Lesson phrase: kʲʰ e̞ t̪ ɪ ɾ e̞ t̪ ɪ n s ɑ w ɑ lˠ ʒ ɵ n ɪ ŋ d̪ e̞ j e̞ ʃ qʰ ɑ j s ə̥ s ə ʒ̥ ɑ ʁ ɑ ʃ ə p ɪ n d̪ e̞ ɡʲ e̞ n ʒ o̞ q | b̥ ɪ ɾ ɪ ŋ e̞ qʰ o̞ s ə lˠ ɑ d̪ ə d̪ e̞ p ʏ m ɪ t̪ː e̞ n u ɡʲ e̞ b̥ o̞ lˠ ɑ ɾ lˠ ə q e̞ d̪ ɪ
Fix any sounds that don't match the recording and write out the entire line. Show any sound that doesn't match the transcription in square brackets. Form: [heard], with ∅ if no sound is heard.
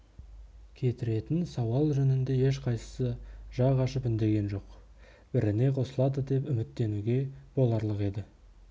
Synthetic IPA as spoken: kʲʰ e̞ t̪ ɪ ɾ e̞ t̪ ɪ n s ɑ w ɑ lˠ ʒ ɵ n ɪ [n] d̪ e̞ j e̞ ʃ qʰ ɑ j s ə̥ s ə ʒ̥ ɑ ʁ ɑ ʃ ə p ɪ n d̪ e̞ ɡʲ e̞ n ʒ o̞ q | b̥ ɪ ɾ ɪ [n] e̞ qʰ o̞ s ə lˠ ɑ d̪ ə d̪ e̞ p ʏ m ɪ t̪ː e̞ n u ɡʲ e̞ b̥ o̞ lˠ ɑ ɾ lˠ ə q e̞ d̪ ɪ